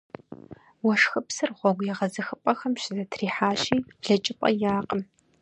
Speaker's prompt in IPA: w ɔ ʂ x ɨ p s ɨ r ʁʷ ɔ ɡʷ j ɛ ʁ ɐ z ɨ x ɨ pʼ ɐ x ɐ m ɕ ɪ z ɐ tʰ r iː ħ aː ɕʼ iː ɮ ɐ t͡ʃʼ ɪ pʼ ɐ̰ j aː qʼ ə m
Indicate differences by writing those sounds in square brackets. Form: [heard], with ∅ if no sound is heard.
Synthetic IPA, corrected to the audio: w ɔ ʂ x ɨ p s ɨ r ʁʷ ɔ ɡʷ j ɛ ʁ ɐ z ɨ x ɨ pʼ ɐ x ɐ m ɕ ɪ z ɐ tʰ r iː ħ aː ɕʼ iː ɮ ɐ t͡ʃʼ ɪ pʼ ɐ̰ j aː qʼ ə m